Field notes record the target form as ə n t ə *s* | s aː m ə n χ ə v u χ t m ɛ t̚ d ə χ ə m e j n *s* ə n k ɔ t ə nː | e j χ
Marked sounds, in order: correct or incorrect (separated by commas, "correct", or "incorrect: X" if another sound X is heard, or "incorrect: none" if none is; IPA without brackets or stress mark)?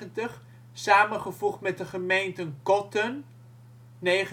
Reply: incorrect: χ, incorrect: t